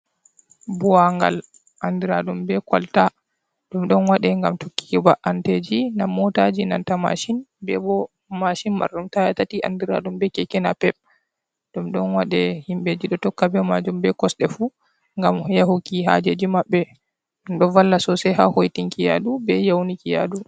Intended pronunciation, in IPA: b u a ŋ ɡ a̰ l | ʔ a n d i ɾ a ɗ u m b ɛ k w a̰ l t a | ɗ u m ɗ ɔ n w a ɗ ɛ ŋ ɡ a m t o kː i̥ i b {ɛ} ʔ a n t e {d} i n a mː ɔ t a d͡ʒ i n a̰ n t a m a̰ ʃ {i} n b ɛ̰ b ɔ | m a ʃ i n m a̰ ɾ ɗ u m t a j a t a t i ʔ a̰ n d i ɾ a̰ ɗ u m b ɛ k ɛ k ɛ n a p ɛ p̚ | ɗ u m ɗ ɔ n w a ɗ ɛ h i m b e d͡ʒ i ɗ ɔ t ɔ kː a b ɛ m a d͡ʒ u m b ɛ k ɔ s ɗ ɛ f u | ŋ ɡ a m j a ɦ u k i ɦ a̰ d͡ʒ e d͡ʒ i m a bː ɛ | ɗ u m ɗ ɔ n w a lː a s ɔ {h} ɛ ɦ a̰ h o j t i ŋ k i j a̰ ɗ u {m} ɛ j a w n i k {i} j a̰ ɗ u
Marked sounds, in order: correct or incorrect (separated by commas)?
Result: incorrect, incorrect, correct, incorrect, incorrect, correct